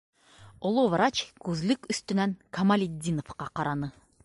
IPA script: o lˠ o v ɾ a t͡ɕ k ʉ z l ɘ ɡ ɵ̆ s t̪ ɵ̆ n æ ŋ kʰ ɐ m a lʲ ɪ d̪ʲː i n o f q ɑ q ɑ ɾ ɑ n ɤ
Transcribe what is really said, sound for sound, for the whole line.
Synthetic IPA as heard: o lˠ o v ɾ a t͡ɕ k ʉ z l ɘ k ɵ̆ s t̪ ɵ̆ n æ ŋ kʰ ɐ m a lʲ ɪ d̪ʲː i n o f q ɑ q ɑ ɾ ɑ n ɤ